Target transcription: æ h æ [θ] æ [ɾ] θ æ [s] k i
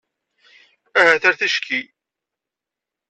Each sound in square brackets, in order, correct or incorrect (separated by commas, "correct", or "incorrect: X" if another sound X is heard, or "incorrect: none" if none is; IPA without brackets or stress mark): correct, correct, incorrect: ʃ